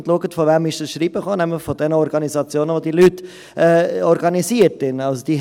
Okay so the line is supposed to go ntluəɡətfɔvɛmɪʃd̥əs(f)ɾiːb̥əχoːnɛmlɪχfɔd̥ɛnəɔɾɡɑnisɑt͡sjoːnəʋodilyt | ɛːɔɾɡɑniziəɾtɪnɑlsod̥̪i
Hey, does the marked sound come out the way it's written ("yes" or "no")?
no